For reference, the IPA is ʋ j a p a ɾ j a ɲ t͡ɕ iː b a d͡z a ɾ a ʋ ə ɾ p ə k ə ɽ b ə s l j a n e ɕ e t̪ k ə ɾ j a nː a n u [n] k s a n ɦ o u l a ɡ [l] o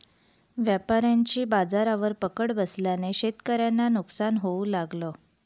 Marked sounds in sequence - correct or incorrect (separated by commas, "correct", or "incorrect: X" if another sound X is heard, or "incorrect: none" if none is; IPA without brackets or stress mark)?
incorrect: none, correct